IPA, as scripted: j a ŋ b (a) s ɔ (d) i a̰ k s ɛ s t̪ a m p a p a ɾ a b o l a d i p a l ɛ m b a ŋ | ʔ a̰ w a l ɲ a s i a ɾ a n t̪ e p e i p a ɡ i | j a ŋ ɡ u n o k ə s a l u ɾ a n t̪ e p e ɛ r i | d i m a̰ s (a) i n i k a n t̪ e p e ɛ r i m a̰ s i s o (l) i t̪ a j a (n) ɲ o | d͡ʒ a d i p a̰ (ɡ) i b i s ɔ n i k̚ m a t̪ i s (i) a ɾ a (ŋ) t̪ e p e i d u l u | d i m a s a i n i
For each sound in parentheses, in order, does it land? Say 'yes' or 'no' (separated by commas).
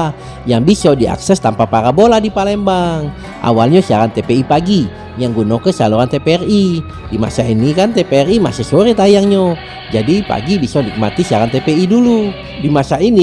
no, yes, yes, no, no, yes, yes, no